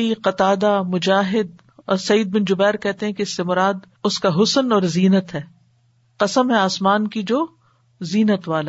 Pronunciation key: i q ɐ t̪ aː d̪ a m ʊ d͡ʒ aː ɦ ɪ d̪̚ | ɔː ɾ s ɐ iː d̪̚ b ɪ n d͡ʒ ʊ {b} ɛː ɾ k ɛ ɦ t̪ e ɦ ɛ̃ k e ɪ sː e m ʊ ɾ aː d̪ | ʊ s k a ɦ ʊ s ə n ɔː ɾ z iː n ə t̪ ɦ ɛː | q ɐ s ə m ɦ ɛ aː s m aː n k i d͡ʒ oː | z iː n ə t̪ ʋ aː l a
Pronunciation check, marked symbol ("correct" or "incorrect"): correct